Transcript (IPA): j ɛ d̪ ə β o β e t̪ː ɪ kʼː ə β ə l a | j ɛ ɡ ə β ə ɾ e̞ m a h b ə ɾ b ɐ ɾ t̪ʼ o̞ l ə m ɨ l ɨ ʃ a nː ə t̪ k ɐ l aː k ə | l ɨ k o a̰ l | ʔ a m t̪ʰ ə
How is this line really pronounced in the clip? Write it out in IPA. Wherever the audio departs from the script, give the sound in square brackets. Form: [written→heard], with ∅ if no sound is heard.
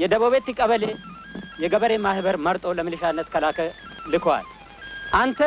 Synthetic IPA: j ɛ d̪ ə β o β e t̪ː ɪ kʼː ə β ə l [a→e] | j ɛ ɡ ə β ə ɾ e̞ m a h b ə ɾ [b→m] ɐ ɾ t̪ʼ o̞ l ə m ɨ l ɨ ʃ a nː ə t̪ k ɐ l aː k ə | l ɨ k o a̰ l | ʔ a [m→n] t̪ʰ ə